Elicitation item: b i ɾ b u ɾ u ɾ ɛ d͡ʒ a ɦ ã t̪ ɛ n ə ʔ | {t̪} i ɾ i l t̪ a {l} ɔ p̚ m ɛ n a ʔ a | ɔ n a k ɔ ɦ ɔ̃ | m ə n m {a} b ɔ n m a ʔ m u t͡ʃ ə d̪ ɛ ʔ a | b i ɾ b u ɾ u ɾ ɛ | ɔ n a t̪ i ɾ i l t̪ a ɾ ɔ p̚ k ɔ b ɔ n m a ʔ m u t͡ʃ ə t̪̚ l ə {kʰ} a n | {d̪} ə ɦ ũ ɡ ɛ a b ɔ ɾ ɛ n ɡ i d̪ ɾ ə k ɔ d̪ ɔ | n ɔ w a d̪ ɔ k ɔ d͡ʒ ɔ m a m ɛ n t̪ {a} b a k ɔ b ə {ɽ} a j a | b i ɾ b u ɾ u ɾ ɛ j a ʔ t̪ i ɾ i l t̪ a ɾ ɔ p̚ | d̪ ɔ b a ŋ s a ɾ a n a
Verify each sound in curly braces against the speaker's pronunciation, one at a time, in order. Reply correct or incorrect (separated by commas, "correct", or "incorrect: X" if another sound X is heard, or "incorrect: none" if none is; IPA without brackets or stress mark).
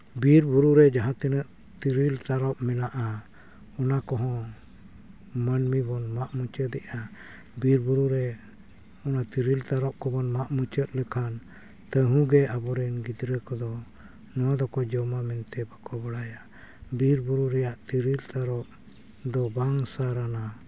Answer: correct, incorrect: ɾ, incorrect: i, correct, incorrect: t̪, incorrect: ɛ, correct